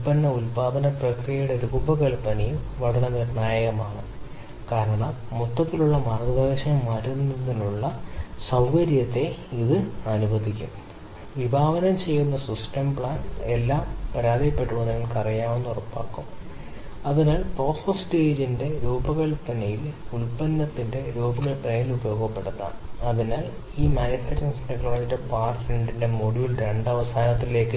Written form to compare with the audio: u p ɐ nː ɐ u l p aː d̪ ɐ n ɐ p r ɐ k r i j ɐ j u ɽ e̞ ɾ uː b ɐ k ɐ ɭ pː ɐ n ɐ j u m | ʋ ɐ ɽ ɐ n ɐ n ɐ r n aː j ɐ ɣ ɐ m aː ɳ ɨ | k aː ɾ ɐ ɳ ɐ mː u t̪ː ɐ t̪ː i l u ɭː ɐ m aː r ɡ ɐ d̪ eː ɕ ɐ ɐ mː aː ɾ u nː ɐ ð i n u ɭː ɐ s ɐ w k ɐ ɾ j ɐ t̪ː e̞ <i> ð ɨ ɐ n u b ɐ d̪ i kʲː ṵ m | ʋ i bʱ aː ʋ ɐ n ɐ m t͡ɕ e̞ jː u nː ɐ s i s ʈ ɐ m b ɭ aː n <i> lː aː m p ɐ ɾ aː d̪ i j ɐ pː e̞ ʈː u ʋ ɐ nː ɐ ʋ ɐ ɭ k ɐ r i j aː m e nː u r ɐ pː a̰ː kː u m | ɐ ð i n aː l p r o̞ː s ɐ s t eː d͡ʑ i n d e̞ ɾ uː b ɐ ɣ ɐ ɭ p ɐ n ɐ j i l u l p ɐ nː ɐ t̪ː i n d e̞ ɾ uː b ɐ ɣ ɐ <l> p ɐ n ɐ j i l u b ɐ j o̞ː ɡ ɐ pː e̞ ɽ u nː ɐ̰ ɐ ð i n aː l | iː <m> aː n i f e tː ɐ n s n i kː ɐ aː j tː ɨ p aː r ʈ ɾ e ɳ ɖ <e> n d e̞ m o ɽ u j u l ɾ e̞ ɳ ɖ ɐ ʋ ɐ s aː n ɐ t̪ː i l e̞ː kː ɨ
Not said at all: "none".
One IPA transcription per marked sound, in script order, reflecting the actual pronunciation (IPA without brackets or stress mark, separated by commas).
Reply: i, e, ɭ, m, i